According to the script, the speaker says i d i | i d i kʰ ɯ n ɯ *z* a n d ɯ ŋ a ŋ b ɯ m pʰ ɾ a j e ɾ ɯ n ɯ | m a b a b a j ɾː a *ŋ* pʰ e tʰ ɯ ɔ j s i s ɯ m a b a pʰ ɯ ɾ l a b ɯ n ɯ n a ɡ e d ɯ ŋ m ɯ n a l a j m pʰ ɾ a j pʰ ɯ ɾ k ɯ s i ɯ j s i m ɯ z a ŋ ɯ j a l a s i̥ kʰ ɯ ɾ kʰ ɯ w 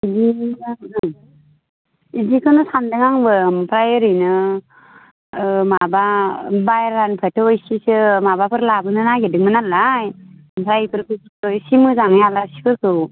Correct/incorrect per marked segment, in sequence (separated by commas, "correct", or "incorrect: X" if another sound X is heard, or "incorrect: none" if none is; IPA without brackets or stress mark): incorrect: s, incorrect: n